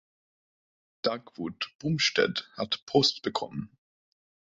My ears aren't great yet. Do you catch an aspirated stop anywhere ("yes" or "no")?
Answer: yes